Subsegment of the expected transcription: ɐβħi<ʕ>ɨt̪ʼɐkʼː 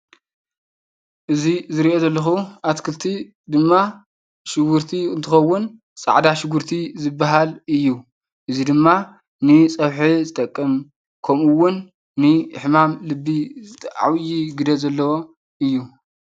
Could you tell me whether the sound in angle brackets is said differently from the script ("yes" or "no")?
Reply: yes